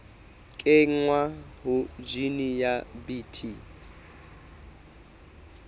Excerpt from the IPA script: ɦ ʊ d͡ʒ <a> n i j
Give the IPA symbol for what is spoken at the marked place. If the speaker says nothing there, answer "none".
i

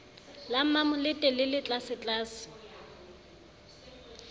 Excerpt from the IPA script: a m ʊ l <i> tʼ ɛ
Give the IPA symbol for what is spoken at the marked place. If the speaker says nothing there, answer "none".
ɪ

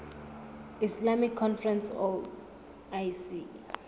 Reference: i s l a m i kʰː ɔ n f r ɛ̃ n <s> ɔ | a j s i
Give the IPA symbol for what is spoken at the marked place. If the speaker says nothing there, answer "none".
s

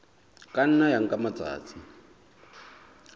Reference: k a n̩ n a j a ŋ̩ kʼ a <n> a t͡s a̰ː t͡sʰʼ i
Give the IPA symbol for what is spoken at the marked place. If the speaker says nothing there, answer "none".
m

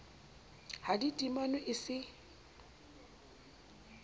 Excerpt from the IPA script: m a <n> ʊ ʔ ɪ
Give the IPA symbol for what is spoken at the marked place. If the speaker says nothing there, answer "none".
n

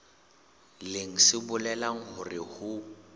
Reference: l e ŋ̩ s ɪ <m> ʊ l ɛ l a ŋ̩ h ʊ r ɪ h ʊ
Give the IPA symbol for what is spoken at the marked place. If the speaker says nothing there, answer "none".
b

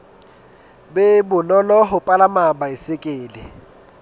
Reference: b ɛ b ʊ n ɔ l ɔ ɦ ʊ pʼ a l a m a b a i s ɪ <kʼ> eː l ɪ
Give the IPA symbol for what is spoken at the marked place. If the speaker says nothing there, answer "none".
kʼ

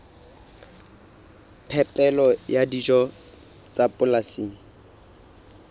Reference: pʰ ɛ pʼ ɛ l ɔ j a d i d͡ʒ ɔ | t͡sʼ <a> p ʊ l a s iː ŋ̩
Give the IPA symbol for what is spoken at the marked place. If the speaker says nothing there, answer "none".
a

